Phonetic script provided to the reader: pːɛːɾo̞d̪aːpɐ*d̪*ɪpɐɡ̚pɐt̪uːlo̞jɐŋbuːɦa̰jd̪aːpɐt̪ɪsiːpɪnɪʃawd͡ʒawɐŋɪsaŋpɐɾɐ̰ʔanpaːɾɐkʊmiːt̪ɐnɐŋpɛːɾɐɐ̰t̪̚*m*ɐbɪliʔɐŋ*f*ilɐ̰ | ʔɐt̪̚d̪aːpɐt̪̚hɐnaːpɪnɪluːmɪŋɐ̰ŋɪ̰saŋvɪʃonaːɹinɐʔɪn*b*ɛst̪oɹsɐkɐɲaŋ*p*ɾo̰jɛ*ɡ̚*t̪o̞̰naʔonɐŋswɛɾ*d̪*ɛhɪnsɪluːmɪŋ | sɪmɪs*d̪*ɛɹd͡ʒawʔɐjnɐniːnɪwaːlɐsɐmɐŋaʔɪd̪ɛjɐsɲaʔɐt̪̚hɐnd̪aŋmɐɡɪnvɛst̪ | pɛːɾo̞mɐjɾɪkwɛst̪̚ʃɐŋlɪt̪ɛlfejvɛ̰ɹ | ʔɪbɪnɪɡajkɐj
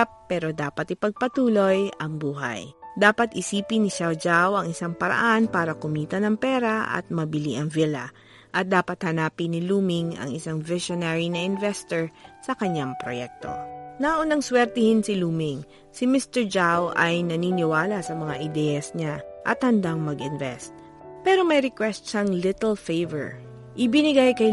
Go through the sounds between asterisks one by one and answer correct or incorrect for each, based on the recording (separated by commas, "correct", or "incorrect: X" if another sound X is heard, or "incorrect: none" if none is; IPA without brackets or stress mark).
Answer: incorrect: t̪, correct, incorrect: v, incorrect: v, correct, incorrect: k̚, incorrect: t̪, incorrect: t̪